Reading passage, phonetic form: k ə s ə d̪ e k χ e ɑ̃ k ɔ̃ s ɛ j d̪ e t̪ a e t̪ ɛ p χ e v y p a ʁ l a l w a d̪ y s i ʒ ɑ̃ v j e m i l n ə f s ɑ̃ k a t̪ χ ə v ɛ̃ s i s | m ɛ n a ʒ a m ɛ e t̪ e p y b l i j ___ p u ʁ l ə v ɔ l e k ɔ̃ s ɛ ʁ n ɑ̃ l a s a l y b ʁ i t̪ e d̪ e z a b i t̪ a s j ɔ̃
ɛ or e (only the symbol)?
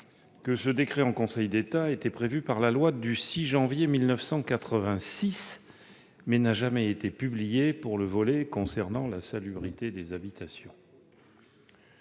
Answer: e